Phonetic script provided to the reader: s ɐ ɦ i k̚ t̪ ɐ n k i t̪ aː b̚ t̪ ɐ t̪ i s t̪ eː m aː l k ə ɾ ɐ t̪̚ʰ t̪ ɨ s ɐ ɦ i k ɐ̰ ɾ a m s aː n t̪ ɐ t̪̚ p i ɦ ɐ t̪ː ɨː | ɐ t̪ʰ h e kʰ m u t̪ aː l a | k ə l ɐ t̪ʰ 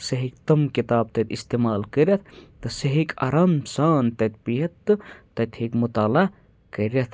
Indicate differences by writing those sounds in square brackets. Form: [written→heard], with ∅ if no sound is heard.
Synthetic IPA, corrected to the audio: s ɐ ɦ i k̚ t̪ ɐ [n→m] k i t̪ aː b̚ t̪ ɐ t̪ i s t̪ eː m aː l k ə ɾ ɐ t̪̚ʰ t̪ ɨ s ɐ ɦ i k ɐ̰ ɾ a m s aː n t̪ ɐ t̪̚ p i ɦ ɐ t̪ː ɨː | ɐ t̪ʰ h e [kʰ→k] m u t̪ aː l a | k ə [l→ɾ] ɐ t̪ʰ